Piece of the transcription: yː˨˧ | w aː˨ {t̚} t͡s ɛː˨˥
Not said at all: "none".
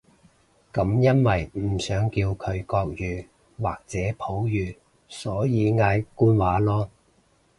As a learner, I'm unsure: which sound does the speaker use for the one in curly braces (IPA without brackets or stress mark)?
k̚